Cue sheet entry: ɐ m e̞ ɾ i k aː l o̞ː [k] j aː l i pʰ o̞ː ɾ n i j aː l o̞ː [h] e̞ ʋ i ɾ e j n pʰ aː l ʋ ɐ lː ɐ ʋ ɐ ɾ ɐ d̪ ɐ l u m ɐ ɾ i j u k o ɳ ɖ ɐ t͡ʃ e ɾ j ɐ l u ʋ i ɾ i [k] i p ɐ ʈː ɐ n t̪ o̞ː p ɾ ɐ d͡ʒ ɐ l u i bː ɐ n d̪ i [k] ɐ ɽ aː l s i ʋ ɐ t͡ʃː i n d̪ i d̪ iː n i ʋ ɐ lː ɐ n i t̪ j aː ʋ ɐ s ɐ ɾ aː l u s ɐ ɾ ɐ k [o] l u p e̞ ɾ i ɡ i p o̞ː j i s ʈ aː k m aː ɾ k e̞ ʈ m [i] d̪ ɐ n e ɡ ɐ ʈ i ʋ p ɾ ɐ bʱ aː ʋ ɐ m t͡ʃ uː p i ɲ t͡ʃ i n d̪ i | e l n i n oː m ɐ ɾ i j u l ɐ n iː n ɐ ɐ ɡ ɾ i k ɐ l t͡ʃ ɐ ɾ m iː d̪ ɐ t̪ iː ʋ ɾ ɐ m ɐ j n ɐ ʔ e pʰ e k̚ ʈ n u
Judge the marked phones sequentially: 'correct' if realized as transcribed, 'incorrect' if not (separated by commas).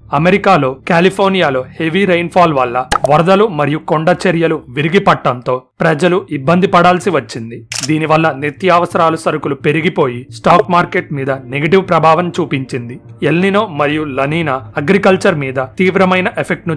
correct, correct, incorrect, incorrect, incorrect, incorrect